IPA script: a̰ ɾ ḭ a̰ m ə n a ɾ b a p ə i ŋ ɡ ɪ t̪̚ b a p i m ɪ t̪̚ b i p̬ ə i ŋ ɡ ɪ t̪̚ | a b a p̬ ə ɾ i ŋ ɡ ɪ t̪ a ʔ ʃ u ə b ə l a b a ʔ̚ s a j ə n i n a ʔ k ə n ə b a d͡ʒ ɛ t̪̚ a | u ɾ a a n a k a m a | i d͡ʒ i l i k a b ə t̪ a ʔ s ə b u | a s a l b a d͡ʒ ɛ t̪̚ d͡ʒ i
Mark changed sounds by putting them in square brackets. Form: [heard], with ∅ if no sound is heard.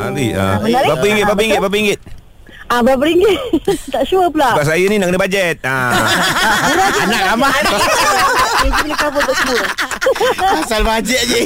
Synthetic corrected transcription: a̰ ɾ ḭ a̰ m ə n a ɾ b a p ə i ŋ ɡ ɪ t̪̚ b a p i [ŋ] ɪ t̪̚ b [a] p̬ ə i ŋ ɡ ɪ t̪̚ | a b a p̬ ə ɾ i ŋ ɡ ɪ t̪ a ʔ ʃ u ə [p] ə l a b a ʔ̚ s a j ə n i n a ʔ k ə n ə b a d͡ʒ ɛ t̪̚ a | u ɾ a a n a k a m a | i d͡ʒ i l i k a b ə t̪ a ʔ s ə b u | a s a l b a d͡ʒ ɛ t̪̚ d͡ʒ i